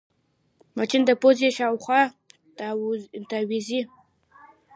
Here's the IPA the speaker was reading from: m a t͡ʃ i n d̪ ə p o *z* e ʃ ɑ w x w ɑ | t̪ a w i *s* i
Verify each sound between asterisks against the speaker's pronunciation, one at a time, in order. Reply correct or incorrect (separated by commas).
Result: correct, incorrect